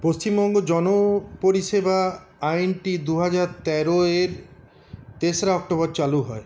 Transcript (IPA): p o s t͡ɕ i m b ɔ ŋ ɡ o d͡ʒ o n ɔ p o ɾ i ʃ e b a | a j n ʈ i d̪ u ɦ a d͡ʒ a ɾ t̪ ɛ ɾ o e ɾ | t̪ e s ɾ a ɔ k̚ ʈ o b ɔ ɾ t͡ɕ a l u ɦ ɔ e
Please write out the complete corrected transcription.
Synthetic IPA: p o s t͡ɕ i m b ɔ ŋ ɡ o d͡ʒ ɔ n o p o ɾ i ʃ e b a | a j n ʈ i d̪ u ɦ a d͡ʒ a ɾ t̪ ɛ ɾ o e ɾ | t̪ e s ɾ a ɔ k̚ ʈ o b ɔ ɾ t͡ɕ a l u ɦ ɔ e